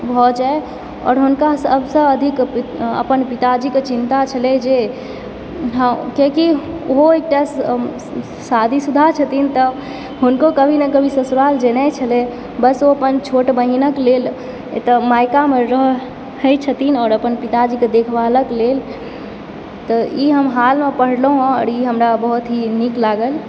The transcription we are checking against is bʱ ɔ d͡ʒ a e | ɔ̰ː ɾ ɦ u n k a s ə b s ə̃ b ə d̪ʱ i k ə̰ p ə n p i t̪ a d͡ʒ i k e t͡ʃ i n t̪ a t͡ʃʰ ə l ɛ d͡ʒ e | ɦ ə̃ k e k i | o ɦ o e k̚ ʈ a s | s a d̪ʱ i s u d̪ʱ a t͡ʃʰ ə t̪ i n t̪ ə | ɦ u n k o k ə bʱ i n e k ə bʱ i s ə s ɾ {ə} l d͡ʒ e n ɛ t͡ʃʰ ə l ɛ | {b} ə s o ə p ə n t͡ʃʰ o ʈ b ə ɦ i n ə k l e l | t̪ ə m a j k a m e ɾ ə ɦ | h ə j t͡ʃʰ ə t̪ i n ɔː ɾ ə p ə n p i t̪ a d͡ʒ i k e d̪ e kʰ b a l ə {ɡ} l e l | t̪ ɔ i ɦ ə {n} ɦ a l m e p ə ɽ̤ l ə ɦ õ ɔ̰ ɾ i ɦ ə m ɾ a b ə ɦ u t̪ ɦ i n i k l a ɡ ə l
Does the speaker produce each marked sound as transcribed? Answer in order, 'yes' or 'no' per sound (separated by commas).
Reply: no, yes, no, no